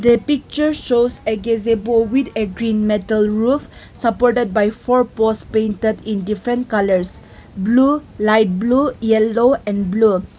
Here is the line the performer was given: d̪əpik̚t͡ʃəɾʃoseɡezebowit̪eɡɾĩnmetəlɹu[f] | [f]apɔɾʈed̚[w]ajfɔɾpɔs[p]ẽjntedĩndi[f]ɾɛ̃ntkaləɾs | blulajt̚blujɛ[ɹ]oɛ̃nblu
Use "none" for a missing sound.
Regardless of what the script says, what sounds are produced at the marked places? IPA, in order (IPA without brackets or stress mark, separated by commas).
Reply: f, s, b, p, f, l